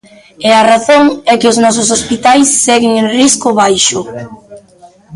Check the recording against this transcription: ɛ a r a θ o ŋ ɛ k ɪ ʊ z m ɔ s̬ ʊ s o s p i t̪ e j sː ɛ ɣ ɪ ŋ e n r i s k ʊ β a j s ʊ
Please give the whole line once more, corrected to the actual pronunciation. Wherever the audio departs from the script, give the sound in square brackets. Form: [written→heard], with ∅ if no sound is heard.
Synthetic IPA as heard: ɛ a r a θ o ŋ ɛ k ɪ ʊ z [m→n] ɔ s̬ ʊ s o s p i t̪ [e→a] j sː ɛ ɣ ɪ ŋ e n r i s k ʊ β a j [s→ʃ] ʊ